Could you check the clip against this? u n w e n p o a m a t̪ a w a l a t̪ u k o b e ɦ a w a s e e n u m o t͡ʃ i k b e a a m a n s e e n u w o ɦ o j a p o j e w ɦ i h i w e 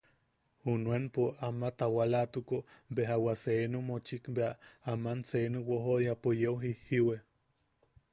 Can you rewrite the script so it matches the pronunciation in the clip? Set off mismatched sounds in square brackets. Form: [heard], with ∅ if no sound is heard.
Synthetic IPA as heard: u n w e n p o a m a t̪ a w a l a t̪ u k o b e ɦ a w a s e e n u m o t͡ʃ i k b e a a m a n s e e n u w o ɦ o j a p o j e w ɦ i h i w e